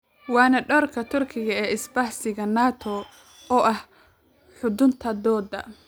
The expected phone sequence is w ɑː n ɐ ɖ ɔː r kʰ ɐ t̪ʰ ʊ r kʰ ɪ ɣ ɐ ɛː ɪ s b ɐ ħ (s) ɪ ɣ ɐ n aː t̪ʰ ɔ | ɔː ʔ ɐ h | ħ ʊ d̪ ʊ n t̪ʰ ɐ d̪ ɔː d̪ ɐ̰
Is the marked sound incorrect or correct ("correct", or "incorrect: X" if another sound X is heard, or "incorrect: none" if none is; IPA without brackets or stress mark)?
correct